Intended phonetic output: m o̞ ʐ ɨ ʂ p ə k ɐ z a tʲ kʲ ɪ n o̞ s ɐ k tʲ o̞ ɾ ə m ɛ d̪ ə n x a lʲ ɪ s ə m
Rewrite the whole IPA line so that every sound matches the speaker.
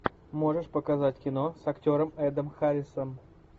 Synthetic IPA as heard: m o̞ ʐ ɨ ʂ p ə k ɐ z a tʲ kʲ ɪ n o̞ s ɐ k tʲ o̞ ɾ ə m ɛ d̪ ə m x a ɾʲ ɪ s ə m